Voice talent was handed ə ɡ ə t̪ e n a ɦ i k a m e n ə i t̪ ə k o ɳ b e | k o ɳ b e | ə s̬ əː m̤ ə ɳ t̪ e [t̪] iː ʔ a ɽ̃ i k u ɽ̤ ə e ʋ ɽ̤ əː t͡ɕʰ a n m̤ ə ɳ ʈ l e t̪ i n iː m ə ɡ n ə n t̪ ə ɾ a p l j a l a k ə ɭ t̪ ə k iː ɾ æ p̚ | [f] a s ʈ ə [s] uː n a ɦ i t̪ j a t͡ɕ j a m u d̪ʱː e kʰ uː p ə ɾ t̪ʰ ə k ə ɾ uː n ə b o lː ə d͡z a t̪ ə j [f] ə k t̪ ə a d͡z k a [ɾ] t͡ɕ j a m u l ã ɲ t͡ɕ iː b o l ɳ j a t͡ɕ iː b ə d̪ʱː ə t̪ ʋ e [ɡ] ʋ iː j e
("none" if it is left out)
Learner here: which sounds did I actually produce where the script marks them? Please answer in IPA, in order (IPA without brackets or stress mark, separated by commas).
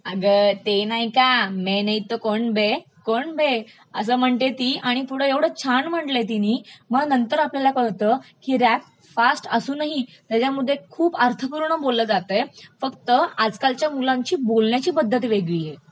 t̪, f, s, f, l, ɡ